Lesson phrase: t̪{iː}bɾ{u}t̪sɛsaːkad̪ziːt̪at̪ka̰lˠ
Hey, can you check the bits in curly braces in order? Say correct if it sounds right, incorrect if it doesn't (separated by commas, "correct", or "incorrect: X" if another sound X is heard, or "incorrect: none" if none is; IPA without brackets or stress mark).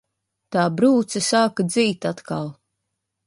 incorrect: aː, incorrect: uː